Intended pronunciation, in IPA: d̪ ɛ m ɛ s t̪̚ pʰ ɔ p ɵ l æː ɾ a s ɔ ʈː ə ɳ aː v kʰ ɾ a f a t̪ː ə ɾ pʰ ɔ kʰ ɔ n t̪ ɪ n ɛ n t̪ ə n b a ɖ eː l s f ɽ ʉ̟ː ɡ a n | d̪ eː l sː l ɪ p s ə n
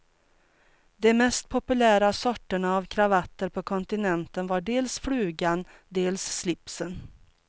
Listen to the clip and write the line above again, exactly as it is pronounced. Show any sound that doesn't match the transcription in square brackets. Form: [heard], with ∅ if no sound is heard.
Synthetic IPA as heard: d̪ ɛ m ɛ s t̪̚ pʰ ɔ p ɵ l æː ɾ a s ɔ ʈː ə ɳ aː v kʰ ɾ a [v] a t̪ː ə ɾ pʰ ɔ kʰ ɔ n t̪ ɪ n ɛ n t̪ ə n [v] a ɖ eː l s f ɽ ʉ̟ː ɡ a n | d̪ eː l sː l ɪ p s ə n